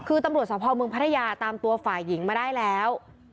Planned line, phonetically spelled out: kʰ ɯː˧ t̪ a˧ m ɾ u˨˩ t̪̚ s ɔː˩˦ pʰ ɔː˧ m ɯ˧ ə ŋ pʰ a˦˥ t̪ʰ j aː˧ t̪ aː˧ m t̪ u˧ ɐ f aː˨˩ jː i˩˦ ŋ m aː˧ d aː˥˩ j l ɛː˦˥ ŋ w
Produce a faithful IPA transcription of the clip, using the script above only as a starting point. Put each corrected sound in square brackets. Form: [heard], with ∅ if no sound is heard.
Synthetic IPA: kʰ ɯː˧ t̪ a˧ m ɾ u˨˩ t̪̚ s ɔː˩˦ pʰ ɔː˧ m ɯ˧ ə ŋ pʰ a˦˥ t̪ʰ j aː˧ t̪ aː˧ m t̪ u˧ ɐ f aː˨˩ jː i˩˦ ŋ m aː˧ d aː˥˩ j l ɛː˦˥ [∅] w